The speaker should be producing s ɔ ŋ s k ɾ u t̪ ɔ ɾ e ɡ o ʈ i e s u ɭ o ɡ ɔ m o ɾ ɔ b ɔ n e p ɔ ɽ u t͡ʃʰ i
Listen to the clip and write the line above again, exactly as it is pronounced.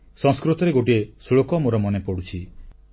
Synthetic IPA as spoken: s ɔ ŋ s k ɾ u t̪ ɔ ɾ e ɡ o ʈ i e s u ɭ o k ɔ m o ɾ ɔ m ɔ n e p ɔ ɽ u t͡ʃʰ i

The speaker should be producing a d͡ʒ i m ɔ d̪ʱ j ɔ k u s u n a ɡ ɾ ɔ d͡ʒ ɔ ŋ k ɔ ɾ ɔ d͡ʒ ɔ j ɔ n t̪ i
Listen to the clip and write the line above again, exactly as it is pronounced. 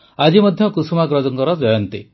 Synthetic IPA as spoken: a d͡ʒ i m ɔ d̪ʱ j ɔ k u s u m a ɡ ɾ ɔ d͡ʒ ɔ ŋ k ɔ ɾ ɔ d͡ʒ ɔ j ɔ n t̪ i

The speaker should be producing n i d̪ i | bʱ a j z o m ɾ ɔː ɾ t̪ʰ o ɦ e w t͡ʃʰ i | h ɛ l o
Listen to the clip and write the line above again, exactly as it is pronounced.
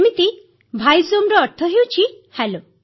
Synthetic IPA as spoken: m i t̪ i | bʱ a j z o m ɾ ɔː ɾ t̪ʰ ɔ ɦ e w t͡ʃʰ i | h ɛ l o

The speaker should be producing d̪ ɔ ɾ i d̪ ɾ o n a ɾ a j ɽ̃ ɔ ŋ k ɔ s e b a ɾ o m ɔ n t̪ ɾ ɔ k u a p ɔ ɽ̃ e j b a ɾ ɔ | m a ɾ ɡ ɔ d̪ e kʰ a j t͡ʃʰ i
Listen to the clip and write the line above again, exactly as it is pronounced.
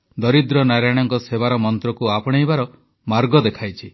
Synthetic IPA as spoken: d̪ ɔ ɾ i d̪ ɾ ɔ n a ɾ a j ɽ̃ ɔ ŋ k ɔ s e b a ɾ ɔ m ɔ n t̪ ɾ ɔ k u a p ɔ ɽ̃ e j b a ɾ ɔ | m a ɾ ɡ ɔ d̪ e kʰ a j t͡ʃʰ i

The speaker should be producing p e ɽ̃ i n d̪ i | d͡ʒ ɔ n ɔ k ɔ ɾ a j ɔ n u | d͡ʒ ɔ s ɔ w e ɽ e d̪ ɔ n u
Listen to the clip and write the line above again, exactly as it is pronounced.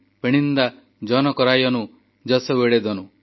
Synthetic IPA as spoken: p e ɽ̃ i n d̪ a | d͡ʒ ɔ n ɔ k ɔ ɾ a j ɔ n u | d͡ʒ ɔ s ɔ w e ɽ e d̪ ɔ n u

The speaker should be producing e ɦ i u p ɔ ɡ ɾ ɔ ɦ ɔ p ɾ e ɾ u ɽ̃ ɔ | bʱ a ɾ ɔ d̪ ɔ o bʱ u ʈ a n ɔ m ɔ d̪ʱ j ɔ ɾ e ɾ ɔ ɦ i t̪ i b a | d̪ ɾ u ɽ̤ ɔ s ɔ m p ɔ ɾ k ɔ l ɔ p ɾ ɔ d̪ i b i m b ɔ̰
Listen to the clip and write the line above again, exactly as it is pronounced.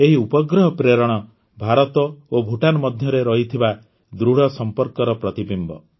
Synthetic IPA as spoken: e ɦ i u p ɔ ɡ ɾ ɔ ɦ ɔ p ɾ e ɾ ɔ ɽ̃ ɔ | bʱ a ɾ ɔ t̪ ɔ o bʱ u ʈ a n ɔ m ɔ d̪ʱ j ɔ ɾ e ɾ ɔ ɦ i t̪ʰ i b a | d̪ ɾ u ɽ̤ ɔ s ɔ m p ɔ ɾ k ɔ ɾ ɔ p ɾ ɔ t̪ i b i m b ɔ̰

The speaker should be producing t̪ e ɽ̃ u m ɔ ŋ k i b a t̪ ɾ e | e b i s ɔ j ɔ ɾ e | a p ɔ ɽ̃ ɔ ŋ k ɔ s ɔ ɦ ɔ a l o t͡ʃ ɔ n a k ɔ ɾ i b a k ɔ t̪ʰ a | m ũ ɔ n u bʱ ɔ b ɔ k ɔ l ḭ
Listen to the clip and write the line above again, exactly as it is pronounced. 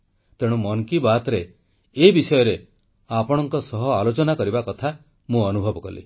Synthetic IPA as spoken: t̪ e ɽ̃ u m ɔ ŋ k i b a t̪ ɾ e | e b i s ɔ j ɔ ɾ e | a p ɔ ɽ̃ ɔ ŋ k ɔ s ɔ ɦ ɔ a l o t͡ʃ ɔ n a k ɔ ɾ i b a k ɔ t̪ʰ a | m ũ ɔ n u bʱ ɔ b ɔ k ɔ l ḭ

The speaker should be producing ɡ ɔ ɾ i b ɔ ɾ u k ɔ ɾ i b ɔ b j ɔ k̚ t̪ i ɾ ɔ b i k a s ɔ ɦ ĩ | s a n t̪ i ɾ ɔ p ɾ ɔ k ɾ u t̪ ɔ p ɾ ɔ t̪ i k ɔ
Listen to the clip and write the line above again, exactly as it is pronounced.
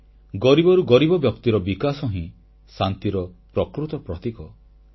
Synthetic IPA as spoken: ɡ ɔ ɾ i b ɔ ɾ u ɡ ɔ ɾ i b ɔ b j ɔ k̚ t̪ i ɾ ɔ b i k a s ɔ ɦ ĩ | s a n t̪ i ɾ ɔ p ɾ ɔ k ɾ u t̪ ɔ p ɾ ɔ t̪ i k ɔ

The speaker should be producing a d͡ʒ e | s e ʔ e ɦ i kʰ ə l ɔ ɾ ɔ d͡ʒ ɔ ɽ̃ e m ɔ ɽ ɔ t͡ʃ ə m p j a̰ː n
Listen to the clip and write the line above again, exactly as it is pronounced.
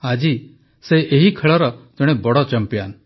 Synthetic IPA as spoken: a d͡ʒ i | s e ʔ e ɦ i kʰ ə ɭ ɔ ɾ ɔ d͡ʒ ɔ ɽ̃ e b ɔ ɽ ɔ t͡ʃ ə m p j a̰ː n

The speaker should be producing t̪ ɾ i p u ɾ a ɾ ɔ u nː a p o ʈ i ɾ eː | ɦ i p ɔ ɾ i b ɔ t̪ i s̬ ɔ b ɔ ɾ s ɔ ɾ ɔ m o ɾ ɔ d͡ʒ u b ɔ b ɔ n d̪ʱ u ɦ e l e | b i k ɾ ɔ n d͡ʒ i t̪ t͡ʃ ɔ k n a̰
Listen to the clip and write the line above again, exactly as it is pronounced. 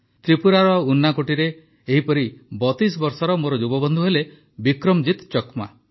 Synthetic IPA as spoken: t̪ ɾ i p u ɾ a ɾ ɔ u nː a k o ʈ i ɾ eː | ɦ i p ɔ ɾ i b ɔ t̪ i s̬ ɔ b ɔ ɾ s ɔ ɾ ɔ m o ɾ ɔ d͡ʒ u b ɔ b ɔ n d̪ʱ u ɦ e l e | b i k ɾ ɔ m d͡ʒ i t̪ t͡ʃ ɔ k m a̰

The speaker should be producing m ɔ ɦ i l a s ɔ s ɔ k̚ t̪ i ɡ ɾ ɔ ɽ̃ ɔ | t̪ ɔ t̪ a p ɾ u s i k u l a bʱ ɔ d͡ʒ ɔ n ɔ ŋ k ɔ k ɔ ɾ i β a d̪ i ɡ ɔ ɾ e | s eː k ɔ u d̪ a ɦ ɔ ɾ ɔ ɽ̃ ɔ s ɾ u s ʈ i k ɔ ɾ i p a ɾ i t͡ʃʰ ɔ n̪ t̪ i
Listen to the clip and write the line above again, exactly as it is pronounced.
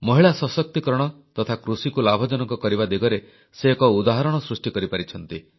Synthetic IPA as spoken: m ɔ ɦ i ɭ a s ɔ s ɔ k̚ t̪ i k ɾ ɔ ɽ̃ ɔ | t̪ ɔ t̪ʰ a k ɾ u s i k u l a bʱ ɔ d͡ʒ ɔ n ɔ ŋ k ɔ k ɔ ɾ i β a d̪ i ɡ ɔ ɾ e | s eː k ɔ u d̪ a ɦ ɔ ɾ ɔ ɽ̃ ɔ s ɾ u s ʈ i k ɔ ɾ i p a ɾ i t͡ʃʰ ɔ n̪ t̪ i

